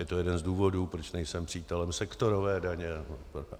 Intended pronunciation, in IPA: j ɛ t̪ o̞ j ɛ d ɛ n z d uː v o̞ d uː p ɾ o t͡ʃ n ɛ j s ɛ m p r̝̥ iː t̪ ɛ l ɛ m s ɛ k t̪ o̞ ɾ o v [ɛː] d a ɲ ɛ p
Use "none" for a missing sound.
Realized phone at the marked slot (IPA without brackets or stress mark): ɛː